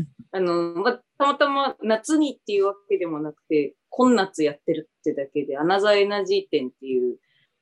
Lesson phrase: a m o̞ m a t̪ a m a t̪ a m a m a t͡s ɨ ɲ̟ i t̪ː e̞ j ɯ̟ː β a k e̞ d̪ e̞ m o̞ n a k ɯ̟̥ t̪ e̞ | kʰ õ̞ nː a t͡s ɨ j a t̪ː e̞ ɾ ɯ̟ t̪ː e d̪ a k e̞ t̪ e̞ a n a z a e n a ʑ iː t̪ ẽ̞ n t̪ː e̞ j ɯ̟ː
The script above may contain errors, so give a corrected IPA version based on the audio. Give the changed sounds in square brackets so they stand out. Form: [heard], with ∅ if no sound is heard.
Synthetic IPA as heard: a [n] o̞ m a t̪ a m a t̪ a m a [n] a t͡s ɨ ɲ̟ i t̪ː e̞ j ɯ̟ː β a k e̞ d̪ e̞ m o̞ n a k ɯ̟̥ t̪ e̞ | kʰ õ̞ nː a t͡s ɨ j a t̪ː e̞ ɾ ɯ̟ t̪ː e d̪ a k e̞ [d̪] e̞ a n a z a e n a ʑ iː t̪ ẽ̞ n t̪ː e̞ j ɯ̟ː